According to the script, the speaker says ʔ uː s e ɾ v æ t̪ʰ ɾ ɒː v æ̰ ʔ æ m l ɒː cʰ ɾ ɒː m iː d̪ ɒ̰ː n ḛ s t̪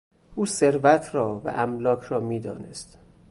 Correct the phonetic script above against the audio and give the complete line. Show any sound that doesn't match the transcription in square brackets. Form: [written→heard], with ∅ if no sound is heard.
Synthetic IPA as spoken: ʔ uː s e ɾ v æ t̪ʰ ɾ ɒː v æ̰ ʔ æ m l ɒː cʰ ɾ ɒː m iː d̪ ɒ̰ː n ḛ s t̪

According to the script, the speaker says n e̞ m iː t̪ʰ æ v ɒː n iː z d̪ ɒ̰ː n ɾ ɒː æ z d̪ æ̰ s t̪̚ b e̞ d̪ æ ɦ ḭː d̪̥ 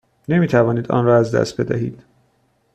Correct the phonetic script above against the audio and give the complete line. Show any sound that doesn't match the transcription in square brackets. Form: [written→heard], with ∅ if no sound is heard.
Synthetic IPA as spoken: n e̞ m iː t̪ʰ æ v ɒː n iː [z→∅] d̪ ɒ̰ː n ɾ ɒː æ z d̪ æ̰ s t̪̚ b e̞ d̪ æ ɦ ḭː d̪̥

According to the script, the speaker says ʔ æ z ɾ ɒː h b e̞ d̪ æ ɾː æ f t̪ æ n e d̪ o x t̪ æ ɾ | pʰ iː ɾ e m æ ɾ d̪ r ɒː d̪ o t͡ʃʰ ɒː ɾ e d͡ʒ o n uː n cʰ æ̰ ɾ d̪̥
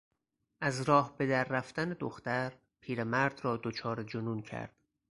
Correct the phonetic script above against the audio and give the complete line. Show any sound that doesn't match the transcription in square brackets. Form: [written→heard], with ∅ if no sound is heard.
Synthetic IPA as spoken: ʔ æ z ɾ ɒː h b e̞ d̪ æ ɾː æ f t̪ æ n e d̪ o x t̪ æ ɾ | pʰ iː ɾ e m æ ɾ d̪ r ɒː d̪ o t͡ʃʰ ɒː ɾ e d͡ʒ o n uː n cʰ æ̰ ɾ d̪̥

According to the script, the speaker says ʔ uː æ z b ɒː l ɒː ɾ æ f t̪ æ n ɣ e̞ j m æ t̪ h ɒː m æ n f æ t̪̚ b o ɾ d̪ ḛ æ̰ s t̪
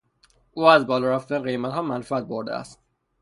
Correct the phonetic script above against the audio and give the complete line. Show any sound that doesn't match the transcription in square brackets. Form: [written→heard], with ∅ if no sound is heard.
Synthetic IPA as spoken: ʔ uː æ z b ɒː l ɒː ɾ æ f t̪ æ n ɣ e̞ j m æ t̪ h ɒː m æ n f æ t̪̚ b o ɾ d̪ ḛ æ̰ s t̪

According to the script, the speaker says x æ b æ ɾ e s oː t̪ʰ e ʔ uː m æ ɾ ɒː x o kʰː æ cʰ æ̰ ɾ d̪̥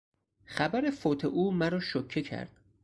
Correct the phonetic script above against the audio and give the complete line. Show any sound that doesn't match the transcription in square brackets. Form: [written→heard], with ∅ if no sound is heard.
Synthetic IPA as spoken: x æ b æ ɾ e [s→f] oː t̪ʰ e ʔ uː m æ ɾ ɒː [x→ʃ] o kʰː [æ→e] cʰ æ̰ ɾ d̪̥

